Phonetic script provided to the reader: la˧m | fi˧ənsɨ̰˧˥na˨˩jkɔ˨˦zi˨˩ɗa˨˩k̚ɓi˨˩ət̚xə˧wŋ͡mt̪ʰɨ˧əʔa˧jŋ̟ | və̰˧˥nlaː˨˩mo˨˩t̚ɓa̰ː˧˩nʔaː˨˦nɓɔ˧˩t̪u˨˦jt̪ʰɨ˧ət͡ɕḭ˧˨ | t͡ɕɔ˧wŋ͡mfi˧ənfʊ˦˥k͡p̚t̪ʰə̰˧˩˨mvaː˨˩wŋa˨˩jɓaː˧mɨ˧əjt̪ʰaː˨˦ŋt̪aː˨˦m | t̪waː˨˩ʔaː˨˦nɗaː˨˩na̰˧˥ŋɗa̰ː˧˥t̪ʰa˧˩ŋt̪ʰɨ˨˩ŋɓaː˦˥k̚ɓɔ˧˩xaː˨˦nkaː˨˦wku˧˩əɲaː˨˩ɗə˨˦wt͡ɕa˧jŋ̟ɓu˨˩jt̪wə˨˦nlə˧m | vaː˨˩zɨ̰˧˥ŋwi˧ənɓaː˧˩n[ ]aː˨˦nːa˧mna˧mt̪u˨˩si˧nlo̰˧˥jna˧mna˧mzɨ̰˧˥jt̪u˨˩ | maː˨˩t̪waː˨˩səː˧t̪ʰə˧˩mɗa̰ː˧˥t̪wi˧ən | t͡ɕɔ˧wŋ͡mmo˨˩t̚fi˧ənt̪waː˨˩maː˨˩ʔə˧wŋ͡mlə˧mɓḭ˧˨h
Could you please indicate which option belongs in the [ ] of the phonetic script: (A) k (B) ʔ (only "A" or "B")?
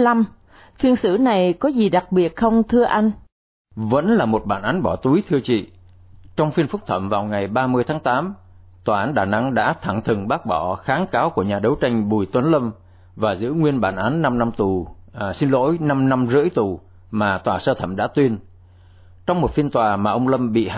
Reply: B